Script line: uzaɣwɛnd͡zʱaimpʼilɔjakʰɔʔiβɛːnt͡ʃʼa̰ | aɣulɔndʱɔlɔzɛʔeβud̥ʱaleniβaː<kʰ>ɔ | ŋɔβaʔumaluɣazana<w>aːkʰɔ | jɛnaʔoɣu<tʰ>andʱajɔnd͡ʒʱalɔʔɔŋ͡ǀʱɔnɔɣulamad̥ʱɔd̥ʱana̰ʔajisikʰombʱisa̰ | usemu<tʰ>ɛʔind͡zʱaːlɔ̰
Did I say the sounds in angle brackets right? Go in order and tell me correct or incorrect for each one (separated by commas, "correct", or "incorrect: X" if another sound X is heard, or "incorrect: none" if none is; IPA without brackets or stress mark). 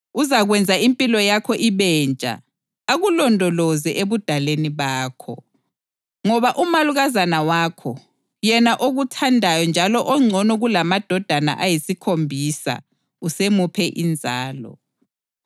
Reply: correct, correct, correct, incorrect: pʰ